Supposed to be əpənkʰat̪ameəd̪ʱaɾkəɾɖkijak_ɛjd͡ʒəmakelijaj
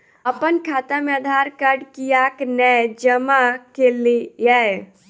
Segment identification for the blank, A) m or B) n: B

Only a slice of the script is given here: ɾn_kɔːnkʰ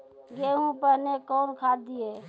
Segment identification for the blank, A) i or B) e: B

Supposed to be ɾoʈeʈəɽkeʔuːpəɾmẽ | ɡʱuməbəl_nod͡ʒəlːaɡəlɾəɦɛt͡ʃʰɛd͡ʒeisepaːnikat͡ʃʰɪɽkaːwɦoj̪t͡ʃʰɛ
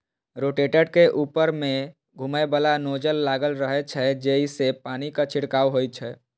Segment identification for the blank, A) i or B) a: B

